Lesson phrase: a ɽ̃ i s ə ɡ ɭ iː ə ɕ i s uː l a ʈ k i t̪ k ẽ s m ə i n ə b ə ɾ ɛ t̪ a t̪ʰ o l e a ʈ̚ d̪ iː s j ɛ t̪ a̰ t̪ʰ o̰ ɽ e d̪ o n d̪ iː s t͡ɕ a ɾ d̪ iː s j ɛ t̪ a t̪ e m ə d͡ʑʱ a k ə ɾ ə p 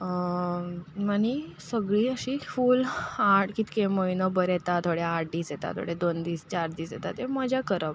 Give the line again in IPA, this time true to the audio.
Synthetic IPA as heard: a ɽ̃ i s ə ɡ ɭ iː ə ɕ i f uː l a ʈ k i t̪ k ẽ m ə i n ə b ə ɾ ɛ t̪ a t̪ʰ o ɽ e a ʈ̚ d̪ iː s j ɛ t̪ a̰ t̪ʰ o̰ ɽ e d̪ o n d̪ iː s t͡ɕ a ɾ d̪ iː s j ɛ t̪ a t̪ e m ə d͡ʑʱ a k ə ɾ ə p